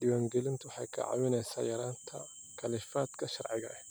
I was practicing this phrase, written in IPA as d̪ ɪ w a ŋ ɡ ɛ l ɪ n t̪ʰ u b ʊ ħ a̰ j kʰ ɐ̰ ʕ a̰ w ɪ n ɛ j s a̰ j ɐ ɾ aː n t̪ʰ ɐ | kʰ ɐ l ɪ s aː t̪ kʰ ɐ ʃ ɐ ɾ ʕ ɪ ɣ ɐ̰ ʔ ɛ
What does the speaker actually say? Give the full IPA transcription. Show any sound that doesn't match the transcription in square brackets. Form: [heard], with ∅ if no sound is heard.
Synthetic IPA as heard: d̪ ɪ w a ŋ ɡ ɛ l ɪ n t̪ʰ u [w] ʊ ħ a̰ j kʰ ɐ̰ ʕ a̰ w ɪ n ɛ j s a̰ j ɐ ɾ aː n t̪ʰ ɐ | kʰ ɐ l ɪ [f] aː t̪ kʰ ɐ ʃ ɐ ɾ ʕ ɪ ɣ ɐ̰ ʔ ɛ